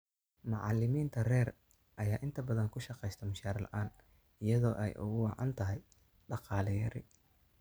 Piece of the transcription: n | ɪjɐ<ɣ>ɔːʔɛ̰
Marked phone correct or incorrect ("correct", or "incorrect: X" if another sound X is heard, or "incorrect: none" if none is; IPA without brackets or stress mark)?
incorrect: ð